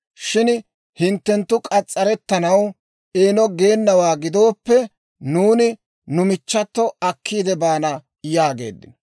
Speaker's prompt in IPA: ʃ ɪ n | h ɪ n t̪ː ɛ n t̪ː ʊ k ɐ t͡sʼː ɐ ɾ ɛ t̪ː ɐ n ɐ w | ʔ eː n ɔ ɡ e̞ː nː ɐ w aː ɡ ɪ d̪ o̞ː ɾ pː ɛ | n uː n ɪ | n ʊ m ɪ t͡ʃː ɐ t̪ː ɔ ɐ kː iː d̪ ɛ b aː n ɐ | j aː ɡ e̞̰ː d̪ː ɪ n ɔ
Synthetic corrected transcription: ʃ ɪ n | h ɪ n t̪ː ɛ n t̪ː ʊ kʼ ɐ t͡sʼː ɐ ɾ ɛ t̪ː ɐ n ɐ w | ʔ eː n ɔ ɡ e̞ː nː ɐ w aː ɡ ɪ d̪ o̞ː pː ɛ | n uː n ɪ | n ʊ m ɪ t͡ʃː ɐ t̪ː ɔ ɐ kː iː d̪ ɛ b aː n ɐ | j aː ɡ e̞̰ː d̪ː ɪ n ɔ